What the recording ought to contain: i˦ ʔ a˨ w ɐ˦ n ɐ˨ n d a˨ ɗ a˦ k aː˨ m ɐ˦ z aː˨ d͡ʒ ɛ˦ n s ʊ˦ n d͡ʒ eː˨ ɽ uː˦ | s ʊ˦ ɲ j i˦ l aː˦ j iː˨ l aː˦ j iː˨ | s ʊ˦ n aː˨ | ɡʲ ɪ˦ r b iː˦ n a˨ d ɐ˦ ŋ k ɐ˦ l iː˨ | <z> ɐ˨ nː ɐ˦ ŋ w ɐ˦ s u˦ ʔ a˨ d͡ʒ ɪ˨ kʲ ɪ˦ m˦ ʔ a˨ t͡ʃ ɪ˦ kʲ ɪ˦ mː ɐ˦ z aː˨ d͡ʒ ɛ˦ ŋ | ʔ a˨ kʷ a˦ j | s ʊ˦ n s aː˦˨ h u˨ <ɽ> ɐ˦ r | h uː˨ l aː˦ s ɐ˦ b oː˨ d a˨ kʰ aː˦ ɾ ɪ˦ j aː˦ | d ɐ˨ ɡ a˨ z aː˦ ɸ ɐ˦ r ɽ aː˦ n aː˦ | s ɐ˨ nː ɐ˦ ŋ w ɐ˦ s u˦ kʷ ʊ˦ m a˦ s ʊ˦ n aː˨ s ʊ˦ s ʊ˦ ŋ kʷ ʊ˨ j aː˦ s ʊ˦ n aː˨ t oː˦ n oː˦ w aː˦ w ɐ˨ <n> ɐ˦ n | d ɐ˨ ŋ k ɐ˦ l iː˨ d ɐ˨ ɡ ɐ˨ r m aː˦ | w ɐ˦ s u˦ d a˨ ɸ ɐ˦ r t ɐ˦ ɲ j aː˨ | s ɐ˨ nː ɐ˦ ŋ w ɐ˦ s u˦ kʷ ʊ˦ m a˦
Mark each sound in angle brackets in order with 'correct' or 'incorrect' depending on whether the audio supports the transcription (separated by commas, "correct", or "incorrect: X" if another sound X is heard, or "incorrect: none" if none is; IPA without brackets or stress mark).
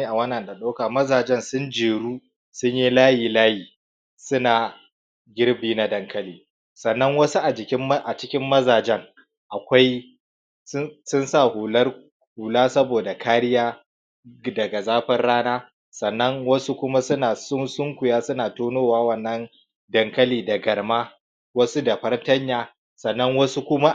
incorrect: s, incorrect: l, incorrect: nː